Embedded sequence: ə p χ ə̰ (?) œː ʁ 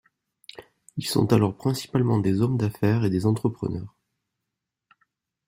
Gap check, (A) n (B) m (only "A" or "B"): A